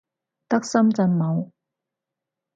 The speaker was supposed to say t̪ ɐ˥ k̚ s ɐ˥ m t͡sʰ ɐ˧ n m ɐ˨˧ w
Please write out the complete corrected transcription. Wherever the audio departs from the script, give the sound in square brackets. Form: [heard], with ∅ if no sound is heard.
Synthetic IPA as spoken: t̪ ɐ˥ k̚ s ɐ˥ m [t͡s] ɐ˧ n m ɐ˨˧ w